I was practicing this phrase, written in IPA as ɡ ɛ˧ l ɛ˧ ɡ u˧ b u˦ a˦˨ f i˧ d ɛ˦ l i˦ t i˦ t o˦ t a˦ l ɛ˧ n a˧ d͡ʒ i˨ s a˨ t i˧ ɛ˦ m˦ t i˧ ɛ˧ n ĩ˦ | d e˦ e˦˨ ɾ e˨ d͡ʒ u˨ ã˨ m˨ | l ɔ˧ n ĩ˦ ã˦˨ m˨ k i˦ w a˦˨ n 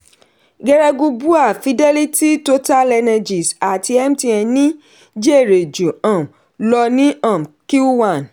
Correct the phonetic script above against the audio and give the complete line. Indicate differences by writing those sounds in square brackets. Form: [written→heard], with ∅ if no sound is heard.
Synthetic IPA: ɡ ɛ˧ [l→ɾ] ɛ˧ ɡ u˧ b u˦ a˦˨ f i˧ d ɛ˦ l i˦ t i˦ t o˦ t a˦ l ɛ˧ n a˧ d͡ʒ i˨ s a˨ t i˧ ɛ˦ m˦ t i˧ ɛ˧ n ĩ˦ | [d→d͡ʒ] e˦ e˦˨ ɾ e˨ d͡ʒ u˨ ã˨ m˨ | l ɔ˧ n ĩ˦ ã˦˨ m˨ k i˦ w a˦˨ n